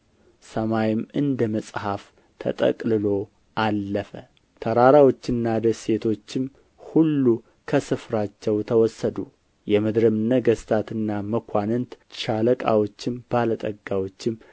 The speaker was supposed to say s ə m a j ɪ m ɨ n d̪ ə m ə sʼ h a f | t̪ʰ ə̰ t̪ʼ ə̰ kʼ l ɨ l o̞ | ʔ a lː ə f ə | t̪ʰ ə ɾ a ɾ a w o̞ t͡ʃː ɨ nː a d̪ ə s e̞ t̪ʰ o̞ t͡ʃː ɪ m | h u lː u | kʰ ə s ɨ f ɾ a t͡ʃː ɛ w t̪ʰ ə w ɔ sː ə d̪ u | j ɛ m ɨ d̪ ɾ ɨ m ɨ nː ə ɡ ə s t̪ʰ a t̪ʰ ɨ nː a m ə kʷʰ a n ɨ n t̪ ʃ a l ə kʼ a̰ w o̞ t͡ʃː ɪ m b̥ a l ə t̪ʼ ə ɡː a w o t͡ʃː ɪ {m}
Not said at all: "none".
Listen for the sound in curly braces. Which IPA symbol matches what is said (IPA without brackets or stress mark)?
m